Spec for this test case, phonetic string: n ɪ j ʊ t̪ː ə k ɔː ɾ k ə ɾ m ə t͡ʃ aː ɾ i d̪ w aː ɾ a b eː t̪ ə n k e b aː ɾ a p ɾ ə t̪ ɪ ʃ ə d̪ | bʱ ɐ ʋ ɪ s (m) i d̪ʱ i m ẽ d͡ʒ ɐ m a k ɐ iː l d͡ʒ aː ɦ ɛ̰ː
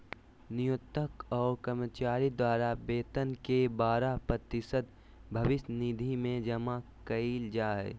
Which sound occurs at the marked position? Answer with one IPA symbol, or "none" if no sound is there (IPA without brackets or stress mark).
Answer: n